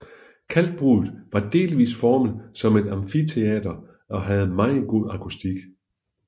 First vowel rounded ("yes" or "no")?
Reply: no